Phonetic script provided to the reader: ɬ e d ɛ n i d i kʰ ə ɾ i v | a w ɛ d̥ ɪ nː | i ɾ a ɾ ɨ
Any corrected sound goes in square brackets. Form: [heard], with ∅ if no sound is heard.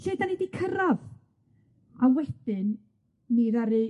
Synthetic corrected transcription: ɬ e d [a] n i d i kʰ ə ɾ [a] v | a w ɛ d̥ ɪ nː | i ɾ a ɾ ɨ

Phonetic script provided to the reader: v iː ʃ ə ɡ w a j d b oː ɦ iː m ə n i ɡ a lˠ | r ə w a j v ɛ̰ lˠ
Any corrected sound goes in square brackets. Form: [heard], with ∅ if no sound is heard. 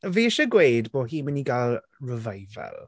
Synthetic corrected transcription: v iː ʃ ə ɡ w [e] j d b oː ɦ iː m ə n i ɡ a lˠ | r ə [v] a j v ɛ̰ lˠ

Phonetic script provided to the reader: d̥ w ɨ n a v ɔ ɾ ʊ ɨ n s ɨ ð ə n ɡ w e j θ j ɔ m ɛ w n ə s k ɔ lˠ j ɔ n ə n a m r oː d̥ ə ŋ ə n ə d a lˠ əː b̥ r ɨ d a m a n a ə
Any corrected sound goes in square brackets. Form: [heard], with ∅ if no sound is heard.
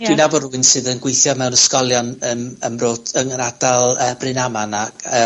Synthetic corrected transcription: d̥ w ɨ n a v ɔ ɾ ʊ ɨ n s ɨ ð ə n ɡ w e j θ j ɔ m ɛ w n ə s k ɔ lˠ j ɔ n ə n [ə] m r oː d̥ ə ŋ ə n [a] d a lˠ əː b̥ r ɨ [n] a m a n a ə

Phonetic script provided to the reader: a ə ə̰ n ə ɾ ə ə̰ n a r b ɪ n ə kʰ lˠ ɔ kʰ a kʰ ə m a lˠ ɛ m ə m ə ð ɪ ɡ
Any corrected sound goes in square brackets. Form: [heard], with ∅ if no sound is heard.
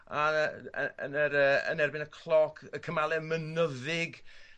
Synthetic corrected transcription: a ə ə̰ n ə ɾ ə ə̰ n [ɛ] r b ɪ n ə kʰ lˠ ɔ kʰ [ə] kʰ ə m a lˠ ɛ m ə [n] ə ð ɪ ɡ

